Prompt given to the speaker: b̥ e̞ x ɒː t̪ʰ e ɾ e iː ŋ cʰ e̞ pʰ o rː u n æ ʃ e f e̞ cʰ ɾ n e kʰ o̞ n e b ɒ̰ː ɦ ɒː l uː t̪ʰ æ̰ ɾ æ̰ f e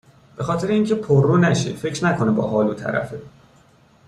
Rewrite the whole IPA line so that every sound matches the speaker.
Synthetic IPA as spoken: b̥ e̞ x ɒː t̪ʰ e ɾ e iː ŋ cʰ e̞ pʰ o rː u n æ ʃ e f e̞ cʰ ɾ n æ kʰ o̞ n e b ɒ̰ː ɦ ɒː l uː t̪ʰ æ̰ ɾ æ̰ f e